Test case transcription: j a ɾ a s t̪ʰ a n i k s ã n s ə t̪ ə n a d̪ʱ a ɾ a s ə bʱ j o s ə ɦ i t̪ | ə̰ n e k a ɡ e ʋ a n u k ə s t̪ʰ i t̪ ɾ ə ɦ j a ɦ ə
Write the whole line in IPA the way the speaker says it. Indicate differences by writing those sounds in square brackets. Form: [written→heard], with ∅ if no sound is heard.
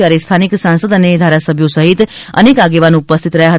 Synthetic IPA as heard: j a ɾ [a→e] s t̪ʰ a n i k s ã n s ə [t̪→d̪] ə n [a→e] d̪ʱ a ɾ a s ə bʱ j o s ə ɦ i t̪ | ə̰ n e k a ɡ e ʋ a n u [k→p] ə s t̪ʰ i t̪ ɾ ə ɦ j a ɦ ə